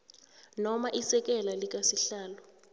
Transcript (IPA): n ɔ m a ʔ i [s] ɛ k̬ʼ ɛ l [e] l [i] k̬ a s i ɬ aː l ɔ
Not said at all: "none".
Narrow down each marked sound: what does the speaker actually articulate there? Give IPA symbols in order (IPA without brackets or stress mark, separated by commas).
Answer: s, a, i